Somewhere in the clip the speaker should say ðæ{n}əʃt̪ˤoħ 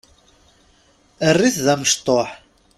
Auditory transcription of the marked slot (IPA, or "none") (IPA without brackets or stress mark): m